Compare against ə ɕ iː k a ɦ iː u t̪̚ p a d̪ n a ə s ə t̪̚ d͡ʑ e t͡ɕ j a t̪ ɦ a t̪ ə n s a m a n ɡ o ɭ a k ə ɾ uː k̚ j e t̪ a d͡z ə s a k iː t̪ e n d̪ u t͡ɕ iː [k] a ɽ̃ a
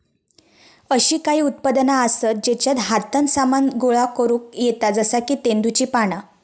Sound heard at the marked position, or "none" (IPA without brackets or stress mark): p